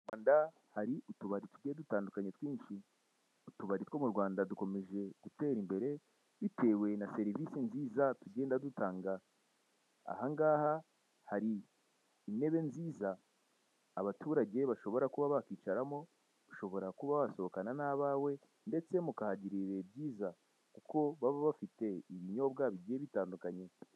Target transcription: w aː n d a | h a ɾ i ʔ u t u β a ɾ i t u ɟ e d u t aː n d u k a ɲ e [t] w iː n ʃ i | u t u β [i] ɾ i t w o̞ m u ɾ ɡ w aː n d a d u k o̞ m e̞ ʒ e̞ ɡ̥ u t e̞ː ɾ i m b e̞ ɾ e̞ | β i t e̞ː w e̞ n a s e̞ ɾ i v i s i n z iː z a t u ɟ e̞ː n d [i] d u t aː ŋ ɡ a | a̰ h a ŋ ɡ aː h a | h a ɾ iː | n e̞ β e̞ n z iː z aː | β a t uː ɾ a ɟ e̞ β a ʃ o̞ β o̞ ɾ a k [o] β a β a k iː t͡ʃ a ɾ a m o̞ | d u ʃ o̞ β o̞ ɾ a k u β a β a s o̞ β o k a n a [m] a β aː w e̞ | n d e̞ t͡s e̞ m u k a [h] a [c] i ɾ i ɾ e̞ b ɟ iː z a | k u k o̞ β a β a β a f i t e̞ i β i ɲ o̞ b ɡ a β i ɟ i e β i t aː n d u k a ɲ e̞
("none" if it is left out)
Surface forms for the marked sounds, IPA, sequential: t, a, a, u, n, h, ɟ

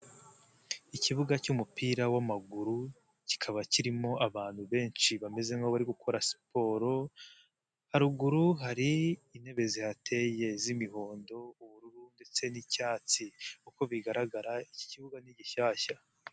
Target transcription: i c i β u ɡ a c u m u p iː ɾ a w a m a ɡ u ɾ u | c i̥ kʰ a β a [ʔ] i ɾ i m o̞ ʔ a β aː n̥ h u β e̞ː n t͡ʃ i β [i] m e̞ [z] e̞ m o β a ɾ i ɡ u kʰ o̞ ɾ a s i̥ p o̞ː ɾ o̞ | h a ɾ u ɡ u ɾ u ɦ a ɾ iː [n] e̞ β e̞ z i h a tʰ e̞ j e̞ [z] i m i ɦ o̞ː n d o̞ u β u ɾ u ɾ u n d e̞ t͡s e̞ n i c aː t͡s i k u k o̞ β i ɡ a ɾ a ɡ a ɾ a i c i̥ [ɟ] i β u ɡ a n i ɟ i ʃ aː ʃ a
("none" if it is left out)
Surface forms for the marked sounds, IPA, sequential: c, a, z, n, z, c

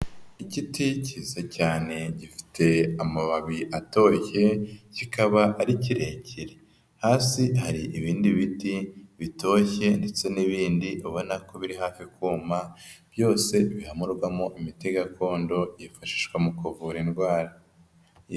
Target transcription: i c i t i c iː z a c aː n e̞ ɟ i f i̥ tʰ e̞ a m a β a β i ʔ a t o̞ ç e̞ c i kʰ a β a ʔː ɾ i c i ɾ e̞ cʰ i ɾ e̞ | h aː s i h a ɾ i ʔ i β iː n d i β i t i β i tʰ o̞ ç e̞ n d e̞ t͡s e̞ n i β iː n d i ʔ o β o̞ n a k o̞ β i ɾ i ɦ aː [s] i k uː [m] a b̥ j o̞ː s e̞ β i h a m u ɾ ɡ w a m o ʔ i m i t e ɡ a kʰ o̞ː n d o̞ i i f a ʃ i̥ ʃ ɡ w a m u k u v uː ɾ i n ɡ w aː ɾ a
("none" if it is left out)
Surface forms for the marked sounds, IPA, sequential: f, m

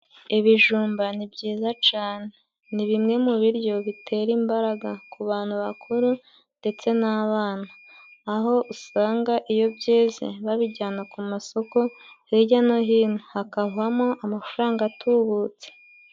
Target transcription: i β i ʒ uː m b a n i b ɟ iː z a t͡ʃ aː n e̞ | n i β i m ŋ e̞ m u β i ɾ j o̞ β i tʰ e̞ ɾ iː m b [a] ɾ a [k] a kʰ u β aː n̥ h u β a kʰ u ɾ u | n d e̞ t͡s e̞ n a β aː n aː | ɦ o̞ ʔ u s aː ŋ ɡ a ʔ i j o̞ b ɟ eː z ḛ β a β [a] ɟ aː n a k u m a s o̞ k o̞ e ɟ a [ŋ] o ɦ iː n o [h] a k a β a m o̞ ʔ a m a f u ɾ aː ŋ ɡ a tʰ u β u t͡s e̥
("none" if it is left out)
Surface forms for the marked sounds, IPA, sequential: a, ɡ, i, n, h

